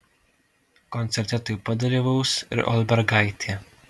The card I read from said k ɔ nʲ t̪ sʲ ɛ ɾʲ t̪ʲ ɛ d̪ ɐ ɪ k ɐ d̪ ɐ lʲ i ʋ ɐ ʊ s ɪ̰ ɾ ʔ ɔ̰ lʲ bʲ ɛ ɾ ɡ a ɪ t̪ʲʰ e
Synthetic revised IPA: k ɔ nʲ t̪ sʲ ɛ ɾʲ t̪ʲ ɛ t̪ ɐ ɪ p ɐ d̪ ɐ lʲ i ʋ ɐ ʊ s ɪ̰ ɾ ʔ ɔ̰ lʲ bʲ ɛ ɾ ɡ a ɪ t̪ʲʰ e